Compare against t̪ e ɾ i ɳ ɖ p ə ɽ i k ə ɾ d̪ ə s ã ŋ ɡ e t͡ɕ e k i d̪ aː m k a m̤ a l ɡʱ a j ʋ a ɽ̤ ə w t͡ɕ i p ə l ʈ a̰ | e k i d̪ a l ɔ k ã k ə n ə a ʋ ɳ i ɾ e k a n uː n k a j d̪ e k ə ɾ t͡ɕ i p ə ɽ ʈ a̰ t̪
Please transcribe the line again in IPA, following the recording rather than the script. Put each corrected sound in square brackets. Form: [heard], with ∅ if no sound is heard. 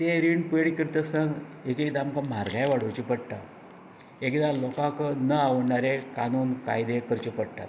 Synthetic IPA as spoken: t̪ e ɾ i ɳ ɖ p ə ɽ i k ə ɾ [t̪] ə s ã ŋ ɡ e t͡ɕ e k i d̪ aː m k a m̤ a [ɾ] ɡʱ a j ʋ a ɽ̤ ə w t͡ɕ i p ə [ɽ] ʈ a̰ | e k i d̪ a l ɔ k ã k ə n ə a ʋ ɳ [a] ɾ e k a n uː n k a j d̪ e k ə ɾ t͡ɕ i p ə ɽ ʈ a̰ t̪